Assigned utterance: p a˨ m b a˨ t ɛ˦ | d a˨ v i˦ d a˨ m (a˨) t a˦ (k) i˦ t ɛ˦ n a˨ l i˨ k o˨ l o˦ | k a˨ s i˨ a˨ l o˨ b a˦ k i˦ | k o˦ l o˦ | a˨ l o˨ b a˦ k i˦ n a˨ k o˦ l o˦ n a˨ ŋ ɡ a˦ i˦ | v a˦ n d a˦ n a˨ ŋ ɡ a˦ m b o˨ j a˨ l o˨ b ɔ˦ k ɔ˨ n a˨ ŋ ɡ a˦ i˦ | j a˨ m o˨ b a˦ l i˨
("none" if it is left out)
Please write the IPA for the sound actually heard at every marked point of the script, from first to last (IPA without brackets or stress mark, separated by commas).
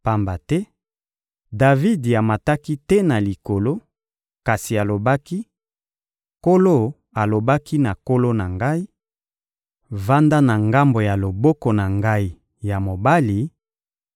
a˨, k